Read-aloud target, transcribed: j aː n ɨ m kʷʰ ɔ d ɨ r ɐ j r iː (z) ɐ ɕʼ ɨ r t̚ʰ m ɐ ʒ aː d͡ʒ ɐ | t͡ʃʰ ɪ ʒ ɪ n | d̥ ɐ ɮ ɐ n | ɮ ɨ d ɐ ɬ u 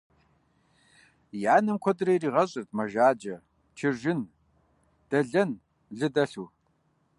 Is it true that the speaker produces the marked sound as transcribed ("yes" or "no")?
no